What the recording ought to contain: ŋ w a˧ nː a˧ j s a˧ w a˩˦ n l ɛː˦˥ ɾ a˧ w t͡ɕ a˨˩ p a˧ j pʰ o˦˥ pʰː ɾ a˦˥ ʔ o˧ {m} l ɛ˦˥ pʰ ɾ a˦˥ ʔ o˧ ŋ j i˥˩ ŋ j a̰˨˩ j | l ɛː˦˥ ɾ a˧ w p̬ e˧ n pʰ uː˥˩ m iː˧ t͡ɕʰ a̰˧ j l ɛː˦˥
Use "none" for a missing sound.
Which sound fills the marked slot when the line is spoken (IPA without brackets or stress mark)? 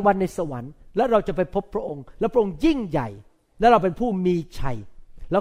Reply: ŋ